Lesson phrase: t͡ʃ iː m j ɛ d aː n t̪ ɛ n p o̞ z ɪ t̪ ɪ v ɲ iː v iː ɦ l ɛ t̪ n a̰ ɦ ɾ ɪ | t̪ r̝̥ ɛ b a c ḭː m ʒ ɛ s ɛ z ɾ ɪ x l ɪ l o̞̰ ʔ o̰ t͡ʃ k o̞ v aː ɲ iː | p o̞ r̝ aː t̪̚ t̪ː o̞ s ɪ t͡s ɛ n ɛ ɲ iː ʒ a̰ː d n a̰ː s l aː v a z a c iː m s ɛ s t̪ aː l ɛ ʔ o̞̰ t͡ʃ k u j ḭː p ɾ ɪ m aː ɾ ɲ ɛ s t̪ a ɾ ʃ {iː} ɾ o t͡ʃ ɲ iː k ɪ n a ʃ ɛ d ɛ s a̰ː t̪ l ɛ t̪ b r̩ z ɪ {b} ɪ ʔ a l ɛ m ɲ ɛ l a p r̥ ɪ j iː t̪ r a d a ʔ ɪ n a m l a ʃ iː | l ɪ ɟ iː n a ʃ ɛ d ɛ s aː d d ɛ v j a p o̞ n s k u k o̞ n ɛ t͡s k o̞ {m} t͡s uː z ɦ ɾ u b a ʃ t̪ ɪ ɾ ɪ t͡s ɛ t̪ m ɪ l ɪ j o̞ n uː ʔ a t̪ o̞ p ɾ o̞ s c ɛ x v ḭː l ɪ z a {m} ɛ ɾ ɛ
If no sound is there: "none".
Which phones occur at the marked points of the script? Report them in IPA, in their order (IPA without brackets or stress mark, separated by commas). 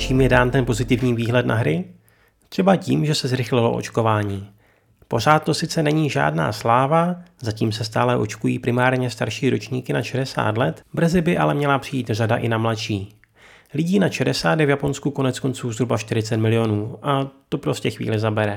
iː, b, n, b